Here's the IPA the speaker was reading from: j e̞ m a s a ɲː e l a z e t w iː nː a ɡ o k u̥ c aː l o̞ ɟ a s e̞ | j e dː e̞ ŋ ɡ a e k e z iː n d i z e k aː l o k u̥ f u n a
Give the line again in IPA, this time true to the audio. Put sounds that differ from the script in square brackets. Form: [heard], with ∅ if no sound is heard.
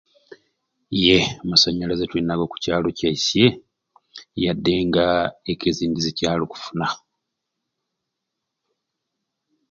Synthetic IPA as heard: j e̞ m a s a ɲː [a] l a z e t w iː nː a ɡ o k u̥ c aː l o̞ [c] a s e̞ | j [a] dː e̞ ŋ ɡ a e k e z iː n d i z e [c] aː l o k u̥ f u n a